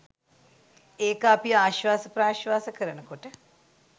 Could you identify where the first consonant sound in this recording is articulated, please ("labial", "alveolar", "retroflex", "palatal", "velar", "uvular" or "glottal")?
velar